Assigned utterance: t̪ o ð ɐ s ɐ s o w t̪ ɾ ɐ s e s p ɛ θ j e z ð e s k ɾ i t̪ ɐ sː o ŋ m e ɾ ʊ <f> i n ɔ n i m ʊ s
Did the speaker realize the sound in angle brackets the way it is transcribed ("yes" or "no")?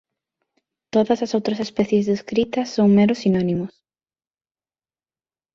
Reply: no